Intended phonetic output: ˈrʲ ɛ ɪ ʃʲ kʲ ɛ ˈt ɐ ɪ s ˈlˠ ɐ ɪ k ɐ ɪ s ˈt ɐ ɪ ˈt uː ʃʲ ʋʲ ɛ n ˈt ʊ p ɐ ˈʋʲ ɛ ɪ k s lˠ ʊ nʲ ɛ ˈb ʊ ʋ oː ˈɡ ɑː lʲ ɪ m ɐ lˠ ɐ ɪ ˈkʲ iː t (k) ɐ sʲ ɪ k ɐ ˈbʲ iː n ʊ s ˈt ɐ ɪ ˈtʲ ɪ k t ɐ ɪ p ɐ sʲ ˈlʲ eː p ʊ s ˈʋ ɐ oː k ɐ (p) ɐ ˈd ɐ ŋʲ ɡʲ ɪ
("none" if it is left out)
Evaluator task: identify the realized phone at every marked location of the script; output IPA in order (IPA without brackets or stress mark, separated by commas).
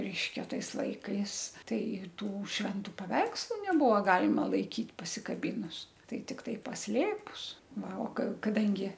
p, k